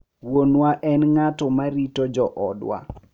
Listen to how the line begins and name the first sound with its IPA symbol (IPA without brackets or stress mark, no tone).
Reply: w